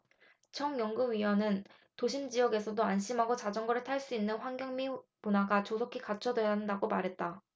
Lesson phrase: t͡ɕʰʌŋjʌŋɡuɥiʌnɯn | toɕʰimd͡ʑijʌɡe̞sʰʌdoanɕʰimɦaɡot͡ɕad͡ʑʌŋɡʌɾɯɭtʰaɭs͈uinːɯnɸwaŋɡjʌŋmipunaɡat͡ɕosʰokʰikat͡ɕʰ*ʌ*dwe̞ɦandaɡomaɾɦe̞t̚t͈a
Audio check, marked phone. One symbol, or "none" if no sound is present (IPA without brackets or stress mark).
ʌ